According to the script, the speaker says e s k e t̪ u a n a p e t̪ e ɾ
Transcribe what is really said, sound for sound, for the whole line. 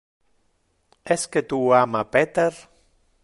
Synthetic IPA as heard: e s k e t̪ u a m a p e t̪ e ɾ